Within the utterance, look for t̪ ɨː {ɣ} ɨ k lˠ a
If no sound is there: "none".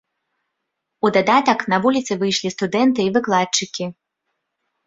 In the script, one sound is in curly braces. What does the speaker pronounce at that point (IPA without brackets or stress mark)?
v